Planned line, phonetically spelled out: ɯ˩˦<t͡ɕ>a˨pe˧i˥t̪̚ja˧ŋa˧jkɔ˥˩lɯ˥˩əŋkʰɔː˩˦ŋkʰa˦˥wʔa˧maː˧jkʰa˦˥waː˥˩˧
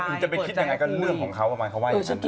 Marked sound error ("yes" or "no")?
no